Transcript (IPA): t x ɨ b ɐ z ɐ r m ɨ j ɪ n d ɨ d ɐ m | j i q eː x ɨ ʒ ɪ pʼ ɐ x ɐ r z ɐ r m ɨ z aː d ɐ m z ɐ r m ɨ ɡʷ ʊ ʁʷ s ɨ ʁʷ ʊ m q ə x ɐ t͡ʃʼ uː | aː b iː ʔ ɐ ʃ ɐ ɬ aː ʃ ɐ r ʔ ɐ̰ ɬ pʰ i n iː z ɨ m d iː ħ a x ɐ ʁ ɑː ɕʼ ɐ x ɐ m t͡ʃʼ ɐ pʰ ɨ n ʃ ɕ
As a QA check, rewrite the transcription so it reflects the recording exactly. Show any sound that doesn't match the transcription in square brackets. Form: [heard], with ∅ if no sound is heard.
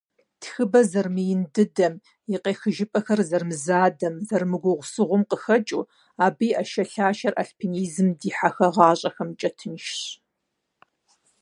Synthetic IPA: t x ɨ b ɐ z ɐ r m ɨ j ɪ n d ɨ d ɐ m | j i q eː x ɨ ʒ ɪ pʼ ɐ x ɐ r z ɐ r m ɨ z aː d ɐ m z ɐ r m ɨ ɡʷ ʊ ʁʷ s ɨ ʁʷ ʊ m q ə x ɐ t͡ʃʼ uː | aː b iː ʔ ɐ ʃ ɐ ɬ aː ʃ ɐ r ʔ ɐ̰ ɬ pʰ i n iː z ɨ m d iː ħ a x ɐ ʁ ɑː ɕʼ ɐ x ɐ m t͡ʃʼ ɐ [tʰ] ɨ n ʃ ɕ